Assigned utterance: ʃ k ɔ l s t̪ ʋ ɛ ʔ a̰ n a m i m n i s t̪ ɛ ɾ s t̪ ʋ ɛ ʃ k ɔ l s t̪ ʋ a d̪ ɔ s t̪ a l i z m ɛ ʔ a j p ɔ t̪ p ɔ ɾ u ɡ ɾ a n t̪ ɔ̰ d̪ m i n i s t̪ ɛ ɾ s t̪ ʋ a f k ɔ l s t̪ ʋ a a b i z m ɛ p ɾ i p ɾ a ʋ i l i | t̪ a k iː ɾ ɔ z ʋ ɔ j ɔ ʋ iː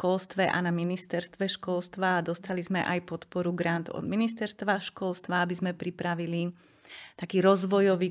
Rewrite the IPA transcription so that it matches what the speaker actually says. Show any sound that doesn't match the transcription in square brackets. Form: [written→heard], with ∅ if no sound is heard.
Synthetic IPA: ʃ k ɔ l s t̪ ʋ ɛ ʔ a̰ n a m i [m→∅] n i s t̪ ɛ ɾ s t̪ ʋ ɛ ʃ k ɔ l s t̪ ʋ a d̪ ɔ s t̪ a l i z m ɛ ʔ a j p ɔ t̪ p ɔ ɾ u ɡ ɾ a n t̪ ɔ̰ d̪ m i n i s t̪ ɛ ɾ s t̪ ʋ a [f→ʃ] k ɔ l s t̪ ʋ a a b i z m ɛ p ɾ i p ɾ a ʋ i l i | t̪ a k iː ɾ ɔ z ʋ ɔ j ɔ ʋ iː